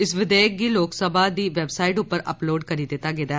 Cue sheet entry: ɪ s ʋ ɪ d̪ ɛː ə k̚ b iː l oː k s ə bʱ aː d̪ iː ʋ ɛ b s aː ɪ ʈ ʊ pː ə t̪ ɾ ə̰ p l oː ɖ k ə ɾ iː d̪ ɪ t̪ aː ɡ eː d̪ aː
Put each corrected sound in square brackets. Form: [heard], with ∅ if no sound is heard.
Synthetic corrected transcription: ɪ s ʋ ɪ d̪ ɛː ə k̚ [ɡ] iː l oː k s ə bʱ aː d̪ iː ʋ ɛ b s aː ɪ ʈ ʊ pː ə [∅] ɾ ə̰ p l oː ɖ k ə ɾ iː d̪ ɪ t̪ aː ɡ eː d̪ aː